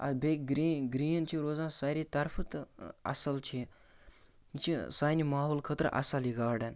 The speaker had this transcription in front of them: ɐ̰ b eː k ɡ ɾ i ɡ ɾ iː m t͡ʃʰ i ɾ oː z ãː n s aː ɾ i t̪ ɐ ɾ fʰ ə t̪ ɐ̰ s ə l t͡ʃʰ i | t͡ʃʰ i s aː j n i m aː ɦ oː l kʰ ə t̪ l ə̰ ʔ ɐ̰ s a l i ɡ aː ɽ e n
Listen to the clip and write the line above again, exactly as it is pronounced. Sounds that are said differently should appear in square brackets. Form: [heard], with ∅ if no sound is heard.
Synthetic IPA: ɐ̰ b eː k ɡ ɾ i ɡ ɾ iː [n] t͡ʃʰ i ɾ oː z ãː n s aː ɾ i t̪ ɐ ɾ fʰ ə t̪ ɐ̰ s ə l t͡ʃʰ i | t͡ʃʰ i s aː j n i m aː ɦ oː l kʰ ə t̪ [ɾ] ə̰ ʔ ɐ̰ s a l i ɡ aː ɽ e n